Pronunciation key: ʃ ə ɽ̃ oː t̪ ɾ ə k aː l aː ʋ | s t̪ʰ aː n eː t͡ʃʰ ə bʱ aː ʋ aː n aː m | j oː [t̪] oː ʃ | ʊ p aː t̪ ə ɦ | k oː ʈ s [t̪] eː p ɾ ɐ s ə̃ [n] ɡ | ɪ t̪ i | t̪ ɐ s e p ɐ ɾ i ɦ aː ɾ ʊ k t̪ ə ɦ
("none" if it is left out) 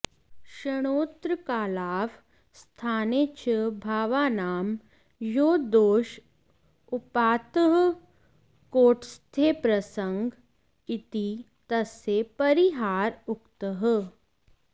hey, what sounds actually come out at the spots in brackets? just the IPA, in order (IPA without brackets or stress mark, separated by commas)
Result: d̪, t̪ʰ, ŋ